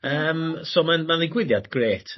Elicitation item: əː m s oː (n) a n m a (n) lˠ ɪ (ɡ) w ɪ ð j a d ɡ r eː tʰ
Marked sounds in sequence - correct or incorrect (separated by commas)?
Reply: incorrect, correct, correct